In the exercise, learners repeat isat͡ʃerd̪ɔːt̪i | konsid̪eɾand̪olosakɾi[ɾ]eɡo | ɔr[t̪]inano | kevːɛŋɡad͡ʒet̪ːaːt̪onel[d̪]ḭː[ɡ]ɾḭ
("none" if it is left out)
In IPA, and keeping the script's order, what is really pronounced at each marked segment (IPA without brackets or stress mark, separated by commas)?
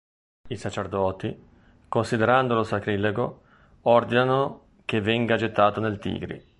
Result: l, d̪, t̪, ɡ